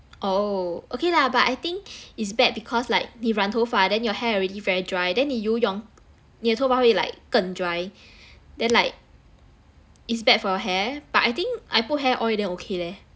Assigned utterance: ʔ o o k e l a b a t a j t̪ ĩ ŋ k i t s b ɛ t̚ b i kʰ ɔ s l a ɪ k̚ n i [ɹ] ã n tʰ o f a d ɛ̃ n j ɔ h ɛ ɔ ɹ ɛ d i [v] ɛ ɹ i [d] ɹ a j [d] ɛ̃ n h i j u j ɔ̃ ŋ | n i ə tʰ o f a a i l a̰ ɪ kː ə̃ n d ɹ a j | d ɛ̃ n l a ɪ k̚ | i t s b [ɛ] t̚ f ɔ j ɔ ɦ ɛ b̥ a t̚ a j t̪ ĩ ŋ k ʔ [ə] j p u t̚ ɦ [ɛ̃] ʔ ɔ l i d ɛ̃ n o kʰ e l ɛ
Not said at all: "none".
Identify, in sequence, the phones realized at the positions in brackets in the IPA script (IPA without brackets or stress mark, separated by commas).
ɹ, v, d, d, ɛ, a, ɛ